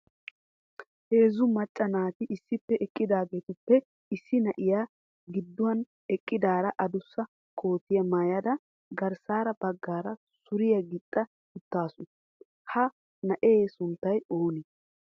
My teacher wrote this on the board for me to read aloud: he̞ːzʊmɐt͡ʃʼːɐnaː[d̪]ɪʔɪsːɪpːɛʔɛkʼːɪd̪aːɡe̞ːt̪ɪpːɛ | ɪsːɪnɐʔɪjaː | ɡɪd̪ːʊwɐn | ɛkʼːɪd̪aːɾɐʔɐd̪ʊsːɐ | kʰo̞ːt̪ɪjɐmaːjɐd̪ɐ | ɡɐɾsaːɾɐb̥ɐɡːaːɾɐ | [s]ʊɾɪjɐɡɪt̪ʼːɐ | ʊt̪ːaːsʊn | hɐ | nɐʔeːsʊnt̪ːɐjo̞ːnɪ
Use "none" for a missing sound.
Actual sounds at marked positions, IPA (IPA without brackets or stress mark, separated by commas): t̪, s